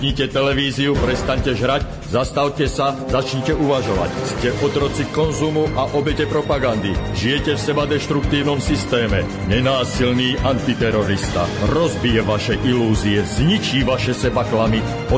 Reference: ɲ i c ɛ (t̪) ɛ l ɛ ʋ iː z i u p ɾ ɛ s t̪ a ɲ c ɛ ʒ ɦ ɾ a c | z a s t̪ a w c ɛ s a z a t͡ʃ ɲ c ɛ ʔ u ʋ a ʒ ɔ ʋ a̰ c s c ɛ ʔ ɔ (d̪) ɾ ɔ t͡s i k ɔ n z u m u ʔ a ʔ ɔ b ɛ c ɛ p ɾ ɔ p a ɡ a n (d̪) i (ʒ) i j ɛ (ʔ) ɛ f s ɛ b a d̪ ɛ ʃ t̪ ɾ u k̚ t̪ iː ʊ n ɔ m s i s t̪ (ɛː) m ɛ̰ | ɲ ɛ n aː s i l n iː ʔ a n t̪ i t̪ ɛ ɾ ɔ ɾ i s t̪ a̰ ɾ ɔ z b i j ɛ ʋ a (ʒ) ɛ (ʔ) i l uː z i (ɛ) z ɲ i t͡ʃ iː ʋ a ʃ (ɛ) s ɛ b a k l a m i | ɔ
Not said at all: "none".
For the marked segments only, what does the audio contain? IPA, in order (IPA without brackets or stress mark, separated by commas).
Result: t̪, t̪, d̪, ʒ, c, ɛː, ʃ, ʔ, ɛ, ɛ